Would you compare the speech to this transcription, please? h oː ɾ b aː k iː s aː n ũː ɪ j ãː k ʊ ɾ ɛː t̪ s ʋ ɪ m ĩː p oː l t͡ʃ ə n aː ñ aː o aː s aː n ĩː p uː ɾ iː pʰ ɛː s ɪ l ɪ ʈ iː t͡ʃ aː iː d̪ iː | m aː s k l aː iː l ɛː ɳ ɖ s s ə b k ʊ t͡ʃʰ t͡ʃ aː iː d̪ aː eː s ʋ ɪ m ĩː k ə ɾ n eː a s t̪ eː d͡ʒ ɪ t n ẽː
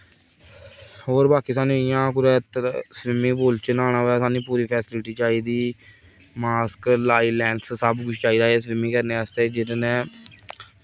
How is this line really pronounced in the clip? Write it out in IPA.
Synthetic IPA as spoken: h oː ɾ b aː k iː s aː n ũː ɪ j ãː k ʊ ɾ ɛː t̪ s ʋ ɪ m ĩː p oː l t͡ʃ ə n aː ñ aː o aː s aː n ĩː p uː ɾ iː pʰ ɛː s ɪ l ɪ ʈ iː t͡ʃ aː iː d̪ iː | m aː s k l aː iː l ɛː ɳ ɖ s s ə b k ʊ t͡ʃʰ t͡ʃ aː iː d̪ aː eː s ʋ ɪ m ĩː k ə ɾ n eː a s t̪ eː d͡ʒ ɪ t n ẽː